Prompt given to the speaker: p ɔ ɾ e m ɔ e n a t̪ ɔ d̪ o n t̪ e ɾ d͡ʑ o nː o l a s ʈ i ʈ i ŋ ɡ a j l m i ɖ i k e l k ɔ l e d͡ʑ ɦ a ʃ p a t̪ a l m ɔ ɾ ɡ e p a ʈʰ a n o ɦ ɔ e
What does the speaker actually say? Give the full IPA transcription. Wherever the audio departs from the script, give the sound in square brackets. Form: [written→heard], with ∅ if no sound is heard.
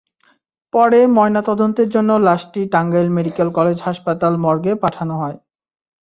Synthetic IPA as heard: p ɔ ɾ e m ɔ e n a t̪ ɔ d̪ o n t̪ e ɾ d͡ʑ o nː o l a [s→ʃ] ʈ i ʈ [i→a] ŋ ɡ a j l m [i→e] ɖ i k e l k ɔ l e d͡ʑ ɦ a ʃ p a t̪ a l m ɔ ɾ ɡ e p a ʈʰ a n o ɦ ɔ e